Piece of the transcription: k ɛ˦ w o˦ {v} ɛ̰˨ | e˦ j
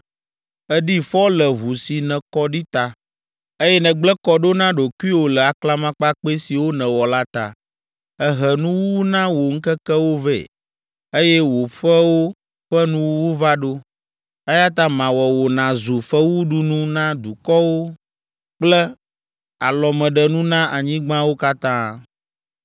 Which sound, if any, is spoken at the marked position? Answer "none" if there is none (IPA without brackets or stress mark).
v